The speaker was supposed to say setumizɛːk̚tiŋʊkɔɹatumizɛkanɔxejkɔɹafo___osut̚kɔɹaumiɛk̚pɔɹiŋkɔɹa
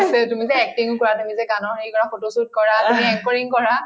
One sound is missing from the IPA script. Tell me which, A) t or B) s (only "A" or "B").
A